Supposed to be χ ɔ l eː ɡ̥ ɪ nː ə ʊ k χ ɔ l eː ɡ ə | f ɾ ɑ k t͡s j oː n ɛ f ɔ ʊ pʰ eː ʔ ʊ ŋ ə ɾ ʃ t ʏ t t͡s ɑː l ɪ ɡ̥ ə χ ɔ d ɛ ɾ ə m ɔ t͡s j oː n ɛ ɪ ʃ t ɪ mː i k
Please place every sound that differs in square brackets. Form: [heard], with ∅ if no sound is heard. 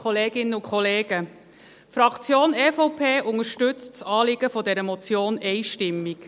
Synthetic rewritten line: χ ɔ l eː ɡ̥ ɪ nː ə ʊ k χ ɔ l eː ɡ ə | f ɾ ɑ k t͡s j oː n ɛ f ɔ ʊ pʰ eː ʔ ʊ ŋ ə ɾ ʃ t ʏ [t͡s] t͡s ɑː l ɪ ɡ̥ ə [f] ɔ d ɛ ɾ ə m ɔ t͡s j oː n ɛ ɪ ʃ t ɪ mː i k